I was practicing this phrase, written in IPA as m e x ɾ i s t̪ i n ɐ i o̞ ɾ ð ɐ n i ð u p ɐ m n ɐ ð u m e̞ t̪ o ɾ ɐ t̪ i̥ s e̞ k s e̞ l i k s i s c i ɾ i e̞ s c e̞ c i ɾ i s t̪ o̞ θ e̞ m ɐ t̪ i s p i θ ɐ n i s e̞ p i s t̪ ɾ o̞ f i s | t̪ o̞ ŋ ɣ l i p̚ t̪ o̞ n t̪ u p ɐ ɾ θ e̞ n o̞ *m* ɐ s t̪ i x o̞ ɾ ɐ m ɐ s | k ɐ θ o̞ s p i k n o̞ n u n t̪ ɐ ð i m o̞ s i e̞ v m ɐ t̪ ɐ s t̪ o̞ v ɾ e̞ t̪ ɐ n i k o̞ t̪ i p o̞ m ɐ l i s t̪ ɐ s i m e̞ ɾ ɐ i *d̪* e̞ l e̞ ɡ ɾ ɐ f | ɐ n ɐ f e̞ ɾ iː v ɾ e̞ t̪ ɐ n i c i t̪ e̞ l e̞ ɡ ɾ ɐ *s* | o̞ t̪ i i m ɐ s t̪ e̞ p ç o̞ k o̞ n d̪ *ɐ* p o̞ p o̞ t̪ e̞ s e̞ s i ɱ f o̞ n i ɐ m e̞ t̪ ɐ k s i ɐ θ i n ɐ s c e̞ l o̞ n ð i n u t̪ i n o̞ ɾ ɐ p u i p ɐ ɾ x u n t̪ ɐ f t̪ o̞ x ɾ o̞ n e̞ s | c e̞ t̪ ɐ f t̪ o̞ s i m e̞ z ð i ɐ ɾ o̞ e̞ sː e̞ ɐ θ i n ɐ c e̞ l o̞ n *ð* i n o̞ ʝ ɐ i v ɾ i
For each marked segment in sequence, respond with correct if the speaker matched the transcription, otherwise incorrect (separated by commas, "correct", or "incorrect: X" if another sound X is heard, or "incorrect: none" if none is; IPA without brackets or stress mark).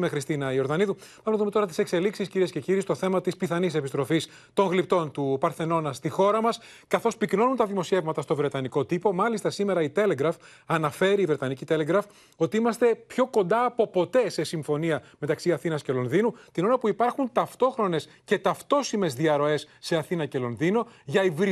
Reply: incorrect: n, incorrect: t̪, incorrect: f, incorrect: ɐː, correct